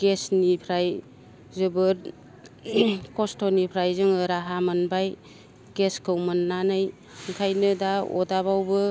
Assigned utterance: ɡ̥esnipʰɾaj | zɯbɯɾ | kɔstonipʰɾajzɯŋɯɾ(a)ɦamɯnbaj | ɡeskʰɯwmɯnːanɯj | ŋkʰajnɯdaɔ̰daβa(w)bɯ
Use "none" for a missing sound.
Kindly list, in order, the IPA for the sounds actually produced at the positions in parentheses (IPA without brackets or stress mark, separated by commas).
a, w